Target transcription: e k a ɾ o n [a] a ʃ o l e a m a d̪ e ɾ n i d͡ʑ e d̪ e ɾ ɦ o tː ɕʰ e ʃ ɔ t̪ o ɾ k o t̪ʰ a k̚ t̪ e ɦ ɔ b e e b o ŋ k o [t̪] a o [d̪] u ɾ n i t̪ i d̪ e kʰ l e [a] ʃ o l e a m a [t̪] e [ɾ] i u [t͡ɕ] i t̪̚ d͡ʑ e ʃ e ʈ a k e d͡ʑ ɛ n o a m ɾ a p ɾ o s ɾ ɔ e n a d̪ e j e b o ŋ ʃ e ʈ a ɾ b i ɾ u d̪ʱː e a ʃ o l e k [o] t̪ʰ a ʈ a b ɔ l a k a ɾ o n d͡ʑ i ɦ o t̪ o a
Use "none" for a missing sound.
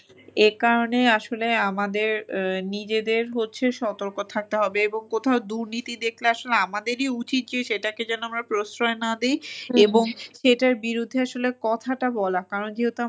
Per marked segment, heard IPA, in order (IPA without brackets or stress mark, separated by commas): e, t̪ʰ, d̪, a, d̪, ɾ, t͡ɕ, ɔ